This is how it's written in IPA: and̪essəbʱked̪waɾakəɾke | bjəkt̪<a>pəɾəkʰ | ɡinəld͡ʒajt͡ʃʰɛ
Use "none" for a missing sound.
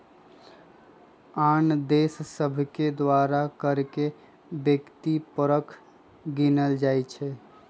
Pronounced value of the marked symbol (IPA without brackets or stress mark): i